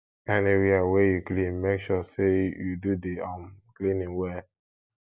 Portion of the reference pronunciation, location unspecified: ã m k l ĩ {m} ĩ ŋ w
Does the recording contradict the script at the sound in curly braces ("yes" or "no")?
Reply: yes